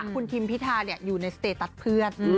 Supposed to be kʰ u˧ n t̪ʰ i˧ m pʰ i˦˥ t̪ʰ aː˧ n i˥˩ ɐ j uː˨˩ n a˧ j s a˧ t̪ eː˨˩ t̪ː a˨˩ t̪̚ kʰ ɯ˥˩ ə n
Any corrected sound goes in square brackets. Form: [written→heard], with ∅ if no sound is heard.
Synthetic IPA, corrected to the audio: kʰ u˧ n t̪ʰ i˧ m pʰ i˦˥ t̪ʰ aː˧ n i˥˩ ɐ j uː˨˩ n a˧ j s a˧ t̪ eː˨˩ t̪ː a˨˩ t̪̚ [kʰ→pʰ] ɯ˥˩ ə n